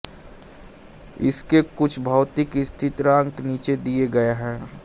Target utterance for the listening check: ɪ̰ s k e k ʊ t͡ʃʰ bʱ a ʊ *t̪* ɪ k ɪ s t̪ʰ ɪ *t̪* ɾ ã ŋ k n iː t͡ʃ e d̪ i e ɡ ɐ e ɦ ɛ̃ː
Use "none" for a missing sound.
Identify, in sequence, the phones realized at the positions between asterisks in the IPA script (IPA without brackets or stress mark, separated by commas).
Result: t̪, t̪